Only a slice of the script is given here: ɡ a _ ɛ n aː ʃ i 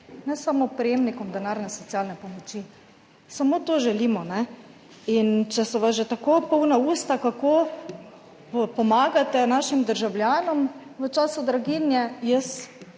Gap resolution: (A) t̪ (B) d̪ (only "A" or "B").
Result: A